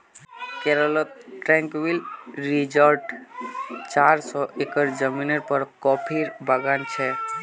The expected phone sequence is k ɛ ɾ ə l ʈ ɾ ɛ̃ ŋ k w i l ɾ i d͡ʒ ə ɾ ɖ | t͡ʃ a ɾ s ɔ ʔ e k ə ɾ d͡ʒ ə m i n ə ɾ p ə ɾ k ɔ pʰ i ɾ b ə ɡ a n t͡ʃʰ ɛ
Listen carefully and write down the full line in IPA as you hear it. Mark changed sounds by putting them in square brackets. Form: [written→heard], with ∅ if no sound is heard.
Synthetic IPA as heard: k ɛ ɾ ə l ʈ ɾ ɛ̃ ŋ k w i l ɾ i d͡ʒ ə ɾ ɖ | t͡ʃ a ɾ s ɔ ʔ e k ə ɾ d͡ʒ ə m i n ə ɾ p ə ɾ k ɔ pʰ i ɾ b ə ɡ a n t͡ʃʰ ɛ

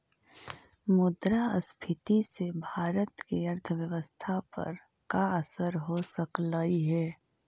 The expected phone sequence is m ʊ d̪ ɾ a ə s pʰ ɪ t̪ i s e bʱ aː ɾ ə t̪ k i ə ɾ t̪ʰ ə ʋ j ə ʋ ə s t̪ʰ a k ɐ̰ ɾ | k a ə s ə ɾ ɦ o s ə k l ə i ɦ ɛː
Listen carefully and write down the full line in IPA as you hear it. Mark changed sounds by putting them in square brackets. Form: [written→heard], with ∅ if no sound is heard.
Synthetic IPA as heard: m ʊ d̪ ɾ a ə s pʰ ɪ t̪ i s e bʱ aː ɾ ə t̪ k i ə ɾ t̪ʰ ə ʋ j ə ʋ ə s t̪ʰ a [k→p] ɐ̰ ɾ | k a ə s ə ɾ ɦ o s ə k l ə i ɦ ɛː

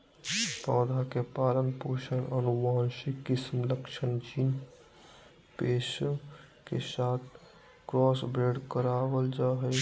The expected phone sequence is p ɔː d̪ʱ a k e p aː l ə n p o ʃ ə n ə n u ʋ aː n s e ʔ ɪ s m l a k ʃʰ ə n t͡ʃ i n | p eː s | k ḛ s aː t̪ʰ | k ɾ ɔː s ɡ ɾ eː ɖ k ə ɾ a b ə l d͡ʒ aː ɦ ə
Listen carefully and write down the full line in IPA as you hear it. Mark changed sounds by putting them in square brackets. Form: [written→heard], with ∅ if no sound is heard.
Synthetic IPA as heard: p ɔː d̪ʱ a k e p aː l ə n p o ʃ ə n ə n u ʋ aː n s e [ʔ→k] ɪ s m l [a→ə] k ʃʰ ə n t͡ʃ i n | p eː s | k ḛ s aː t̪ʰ | k ɾ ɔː s [ɡ→b] ɾ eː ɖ k ə ɾ a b ə l d͡ʒ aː ɦ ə

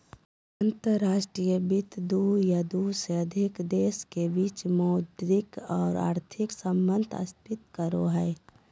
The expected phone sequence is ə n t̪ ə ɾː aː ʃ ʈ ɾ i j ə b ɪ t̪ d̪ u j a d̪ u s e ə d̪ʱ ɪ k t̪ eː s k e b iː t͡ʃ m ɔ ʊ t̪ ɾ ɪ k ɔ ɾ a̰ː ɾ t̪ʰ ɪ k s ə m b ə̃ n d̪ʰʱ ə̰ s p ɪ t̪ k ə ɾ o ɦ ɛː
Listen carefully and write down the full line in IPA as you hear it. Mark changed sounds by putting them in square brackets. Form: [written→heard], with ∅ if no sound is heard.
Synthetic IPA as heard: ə n t̪ ə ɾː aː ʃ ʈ ɾ i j ə b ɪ t̪ d̪ u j a d̪ u s e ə d̪ʱ ɪ k [t̪→d̪] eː s k e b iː t͡ʃ m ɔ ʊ [t̪→d̪] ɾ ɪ k [ɔ→ɔː] ɾ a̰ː ɾ t̪ʰ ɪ k s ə m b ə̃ n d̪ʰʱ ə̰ s p ɪ t̪ k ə ɾ o ɦ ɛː

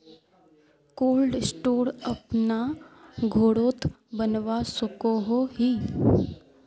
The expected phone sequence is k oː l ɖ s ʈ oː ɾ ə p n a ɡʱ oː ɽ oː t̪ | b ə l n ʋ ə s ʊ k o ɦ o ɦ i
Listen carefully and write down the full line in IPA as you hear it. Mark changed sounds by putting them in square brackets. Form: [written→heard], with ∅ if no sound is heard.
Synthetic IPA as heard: k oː l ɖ s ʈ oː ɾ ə p n a ɡʱ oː ɽ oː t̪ | b ə [l→∅] n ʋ [ə→a] s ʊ k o ɦ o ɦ i

